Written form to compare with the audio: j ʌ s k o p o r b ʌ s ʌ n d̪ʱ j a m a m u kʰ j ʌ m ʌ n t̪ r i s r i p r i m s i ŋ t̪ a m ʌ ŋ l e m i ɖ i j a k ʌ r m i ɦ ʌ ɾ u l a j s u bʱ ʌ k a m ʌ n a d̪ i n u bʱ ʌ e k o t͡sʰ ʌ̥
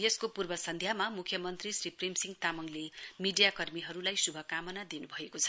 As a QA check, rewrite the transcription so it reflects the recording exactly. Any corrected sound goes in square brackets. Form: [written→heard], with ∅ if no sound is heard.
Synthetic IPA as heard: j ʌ s k o p [o→u] r b ʌ s ʌ n d̪ʱ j a m a m u kʰ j ʌ m ʌ n t̪ r i s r i p r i m s i ŋ t̪ a m ʌ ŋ l e m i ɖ i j a k ʌ r m i ɦ ʌ ɾ u l a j s u bʱ ʌ k a m ʌ n a d̪ i n u bʱ ʌ e k o t͡sʰ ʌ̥